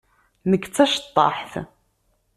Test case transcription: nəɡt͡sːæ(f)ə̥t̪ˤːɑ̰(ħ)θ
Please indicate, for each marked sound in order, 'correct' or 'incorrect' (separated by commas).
incorrect, correct